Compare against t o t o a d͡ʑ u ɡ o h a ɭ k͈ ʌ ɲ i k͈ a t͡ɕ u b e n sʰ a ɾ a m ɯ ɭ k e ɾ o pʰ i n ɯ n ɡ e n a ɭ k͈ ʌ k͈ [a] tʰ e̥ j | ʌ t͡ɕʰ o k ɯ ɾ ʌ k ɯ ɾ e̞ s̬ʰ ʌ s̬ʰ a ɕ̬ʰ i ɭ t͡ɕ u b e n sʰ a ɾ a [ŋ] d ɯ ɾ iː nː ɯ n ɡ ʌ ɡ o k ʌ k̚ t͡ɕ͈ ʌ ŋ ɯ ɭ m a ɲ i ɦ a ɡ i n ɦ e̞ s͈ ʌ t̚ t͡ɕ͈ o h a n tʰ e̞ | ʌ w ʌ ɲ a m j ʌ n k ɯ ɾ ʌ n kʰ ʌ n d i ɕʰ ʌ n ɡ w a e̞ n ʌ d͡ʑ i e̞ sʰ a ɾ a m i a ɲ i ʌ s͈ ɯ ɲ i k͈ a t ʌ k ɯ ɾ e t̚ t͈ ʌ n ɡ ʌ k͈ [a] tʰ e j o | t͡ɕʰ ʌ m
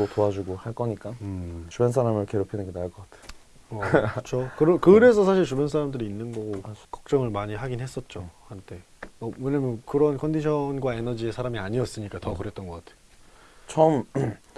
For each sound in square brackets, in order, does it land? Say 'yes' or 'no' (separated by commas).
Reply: yes, no, yes